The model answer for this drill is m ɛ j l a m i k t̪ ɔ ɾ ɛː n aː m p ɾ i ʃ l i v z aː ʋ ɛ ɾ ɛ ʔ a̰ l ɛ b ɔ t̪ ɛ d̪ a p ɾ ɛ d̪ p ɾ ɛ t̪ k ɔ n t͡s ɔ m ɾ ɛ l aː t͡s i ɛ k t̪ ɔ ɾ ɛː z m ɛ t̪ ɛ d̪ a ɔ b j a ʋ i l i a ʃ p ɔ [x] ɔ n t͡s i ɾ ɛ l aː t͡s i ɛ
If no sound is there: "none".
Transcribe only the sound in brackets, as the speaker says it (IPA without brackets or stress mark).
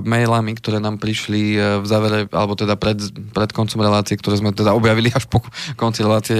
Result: k